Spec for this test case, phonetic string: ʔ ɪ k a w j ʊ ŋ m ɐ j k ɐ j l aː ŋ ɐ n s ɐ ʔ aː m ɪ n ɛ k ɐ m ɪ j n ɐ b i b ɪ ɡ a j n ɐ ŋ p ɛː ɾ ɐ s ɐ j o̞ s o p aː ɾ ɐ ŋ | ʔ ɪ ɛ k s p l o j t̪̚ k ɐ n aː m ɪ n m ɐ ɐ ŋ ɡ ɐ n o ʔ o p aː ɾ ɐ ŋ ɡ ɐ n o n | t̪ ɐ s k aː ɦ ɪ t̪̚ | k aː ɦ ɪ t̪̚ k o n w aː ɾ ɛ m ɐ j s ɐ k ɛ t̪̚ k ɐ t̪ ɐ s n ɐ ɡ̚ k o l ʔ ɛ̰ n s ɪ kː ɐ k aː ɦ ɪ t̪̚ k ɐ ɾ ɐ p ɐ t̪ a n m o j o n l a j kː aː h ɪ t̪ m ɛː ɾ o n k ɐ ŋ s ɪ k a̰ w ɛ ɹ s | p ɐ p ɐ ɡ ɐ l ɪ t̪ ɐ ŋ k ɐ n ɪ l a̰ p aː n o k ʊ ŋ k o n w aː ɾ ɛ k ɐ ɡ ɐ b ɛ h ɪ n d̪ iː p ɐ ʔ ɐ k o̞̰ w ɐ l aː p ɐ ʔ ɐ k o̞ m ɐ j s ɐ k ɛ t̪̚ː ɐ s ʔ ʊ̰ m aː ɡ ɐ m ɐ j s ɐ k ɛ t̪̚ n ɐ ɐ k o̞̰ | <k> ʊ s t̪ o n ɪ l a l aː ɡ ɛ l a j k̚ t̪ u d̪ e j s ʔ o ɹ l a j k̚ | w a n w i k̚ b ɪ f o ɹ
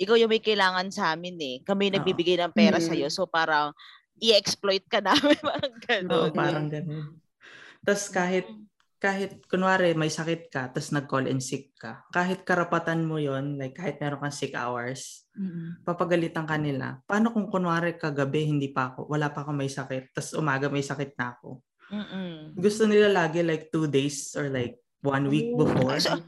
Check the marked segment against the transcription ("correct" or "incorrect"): incorrect